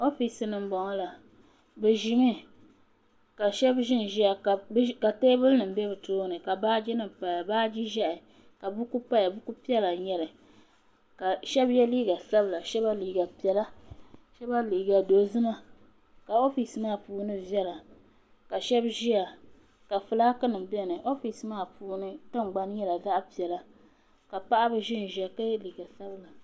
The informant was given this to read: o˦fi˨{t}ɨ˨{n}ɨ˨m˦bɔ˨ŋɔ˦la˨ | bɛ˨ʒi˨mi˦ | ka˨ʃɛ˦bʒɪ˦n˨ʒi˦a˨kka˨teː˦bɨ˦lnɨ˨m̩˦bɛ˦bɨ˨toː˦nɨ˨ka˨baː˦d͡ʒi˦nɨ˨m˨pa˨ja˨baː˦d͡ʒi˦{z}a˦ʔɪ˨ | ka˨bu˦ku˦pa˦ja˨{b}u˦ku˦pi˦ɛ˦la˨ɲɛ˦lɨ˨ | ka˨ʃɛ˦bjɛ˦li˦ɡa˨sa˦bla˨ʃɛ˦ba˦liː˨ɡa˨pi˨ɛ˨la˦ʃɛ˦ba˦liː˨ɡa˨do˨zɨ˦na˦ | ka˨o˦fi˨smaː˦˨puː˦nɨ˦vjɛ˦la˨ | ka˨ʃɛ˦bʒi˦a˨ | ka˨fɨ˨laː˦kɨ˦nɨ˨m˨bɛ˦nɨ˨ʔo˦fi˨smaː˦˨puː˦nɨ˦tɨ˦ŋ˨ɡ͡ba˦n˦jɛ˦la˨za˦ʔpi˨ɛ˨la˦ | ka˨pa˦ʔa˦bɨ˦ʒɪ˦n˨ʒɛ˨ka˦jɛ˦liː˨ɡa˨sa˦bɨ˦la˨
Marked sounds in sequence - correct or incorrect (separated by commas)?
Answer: incorrect, correct, incorrect, correct